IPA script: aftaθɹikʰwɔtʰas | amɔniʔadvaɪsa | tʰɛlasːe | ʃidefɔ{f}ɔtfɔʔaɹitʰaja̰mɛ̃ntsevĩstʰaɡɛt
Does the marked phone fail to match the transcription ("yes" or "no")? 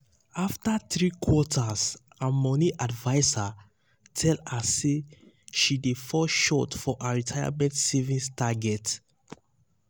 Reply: yes